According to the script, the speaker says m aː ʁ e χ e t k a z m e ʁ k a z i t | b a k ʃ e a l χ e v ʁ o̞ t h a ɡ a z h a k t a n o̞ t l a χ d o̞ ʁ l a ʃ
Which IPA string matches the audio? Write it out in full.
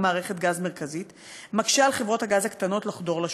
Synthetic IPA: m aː ʁ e χ e t ɡ a z m e ʁ k a z i t | m a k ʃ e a l χ e v ʁ o̞ t h a ɡ a z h a k t a n o̞ t l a χ d o̞ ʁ l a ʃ

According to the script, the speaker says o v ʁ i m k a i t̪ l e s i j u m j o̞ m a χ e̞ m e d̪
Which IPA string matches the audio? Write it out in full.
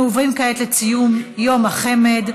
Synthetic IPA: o v ʁ i m k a e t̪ l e t͡s i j u m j o̞ m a χ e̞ m e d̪

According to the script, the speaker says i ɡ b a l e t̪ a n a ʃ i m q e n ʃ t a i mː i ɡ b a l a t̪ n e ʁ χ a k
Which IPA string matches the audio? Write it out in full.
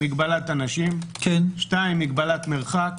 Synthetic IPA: i ɡ b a l a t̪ a n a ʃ i m k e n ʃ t a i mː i ɡ b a l a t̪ m e ʁ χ a k

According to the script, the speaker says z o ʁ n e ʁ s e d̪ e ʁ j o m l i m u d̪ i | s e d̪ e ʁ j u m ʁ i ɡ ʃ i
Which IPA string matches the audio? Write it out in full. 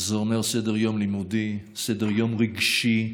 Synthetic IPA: z o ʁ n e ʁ s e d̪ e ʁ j o m l i m u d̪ i | s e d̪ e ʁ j o m ʁ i ɡ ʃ i

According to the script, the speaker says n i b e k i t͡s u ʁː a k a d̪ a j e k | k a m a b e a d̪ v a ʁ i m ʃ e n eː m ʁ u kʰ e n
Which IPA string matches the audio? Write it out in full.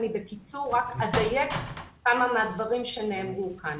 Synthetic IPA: n i b e k i t͡s u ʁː a k a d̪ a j e k | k a m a m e a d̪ v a ʁ i m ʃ e n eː m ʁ u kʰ a n

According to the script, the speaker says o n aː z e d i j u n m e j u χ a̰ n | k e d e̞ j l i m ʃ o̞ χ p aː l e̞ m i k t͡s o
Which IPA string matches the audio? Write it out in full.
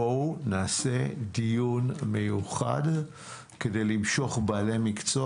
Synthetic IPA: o n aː s e d i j u n m e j u χ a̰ d | k e d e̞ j l i m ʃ o̞ χ b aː l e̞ m i k t͡s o

